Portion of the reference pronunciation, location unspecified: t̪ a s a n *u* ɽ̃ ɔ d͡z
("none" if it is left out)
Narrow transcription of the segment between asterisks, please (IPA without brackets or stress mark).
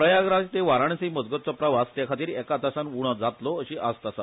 u